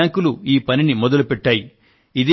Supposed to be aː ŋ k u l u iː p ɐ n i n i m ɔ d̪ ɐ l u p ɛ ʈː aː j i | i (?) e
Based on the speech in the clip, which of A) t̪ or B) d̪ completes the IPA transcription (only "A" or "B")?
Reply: B